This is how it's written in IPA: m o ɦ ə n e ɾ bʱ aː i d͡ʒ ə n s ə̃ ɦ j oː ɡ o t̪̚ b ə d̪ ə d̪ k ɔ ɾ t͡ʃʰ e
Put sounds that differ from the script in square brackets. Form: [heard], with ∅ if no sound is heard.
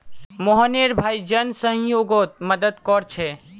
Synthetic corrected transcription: m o ɦ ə n e ɾ bʱ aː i d͡ʒ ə n s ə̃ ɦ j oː ɡ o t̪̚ [m] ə d̪ ə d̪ k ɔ ɾ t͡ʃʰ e